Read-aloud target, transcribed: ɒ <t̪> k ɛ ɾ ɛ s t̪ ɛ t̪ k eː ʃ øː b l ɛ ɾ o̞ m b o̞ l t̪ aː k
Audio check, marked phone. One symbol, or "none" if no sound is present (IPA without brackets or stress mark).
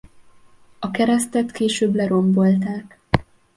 none